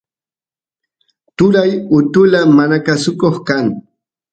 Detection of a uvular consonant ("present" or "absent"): present